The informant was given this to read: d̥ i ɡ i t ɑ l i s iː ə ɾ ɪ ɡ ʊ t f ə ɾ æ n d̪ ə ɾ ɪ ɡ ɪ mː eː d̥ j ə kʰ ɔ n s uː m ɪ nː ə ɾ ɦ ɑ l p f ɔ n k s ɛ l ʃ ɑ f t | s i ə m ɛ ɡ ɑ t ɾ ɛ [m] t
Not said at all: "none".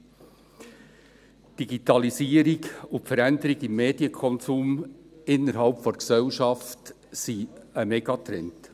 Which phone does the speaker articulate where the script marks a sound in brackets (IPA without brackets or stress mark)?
n